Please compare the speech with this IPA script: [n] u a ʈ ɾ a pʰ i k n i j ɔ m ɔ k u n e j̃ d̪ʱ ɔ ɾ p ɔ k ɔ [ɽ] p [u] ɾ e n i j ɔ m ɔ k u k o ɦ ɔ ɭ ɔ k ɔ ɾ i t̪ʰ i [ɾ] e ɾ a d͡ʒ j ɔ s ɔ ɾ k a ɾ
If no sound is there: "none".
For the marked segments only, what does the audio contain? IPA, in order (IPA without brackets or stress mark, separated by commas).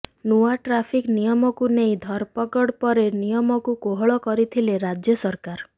n, ɽ, ɔ, l